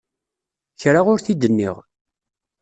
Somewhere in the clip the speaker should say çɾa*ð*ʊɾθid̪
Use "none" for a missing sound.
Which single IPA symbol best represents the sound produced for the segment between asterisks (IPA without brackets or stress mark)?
ʁ